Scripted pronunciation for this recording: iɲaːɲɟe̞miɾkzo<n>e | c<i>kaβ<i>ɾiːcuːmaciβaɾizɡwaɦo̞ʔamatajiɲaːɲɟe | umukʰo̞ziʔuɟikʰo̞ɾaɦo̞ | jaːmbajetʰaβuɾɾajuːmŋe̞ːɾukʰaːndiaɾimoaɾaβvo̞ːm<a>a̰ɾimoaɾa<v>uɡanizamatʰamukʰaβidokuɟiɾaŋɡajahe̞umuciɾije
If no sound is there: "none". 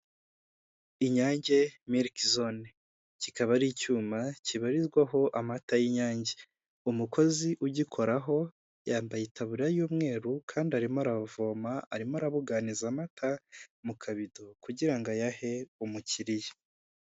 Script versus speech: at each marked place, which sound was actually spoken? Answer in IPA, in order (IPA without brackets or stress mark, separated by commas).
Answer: n, i, a, a, β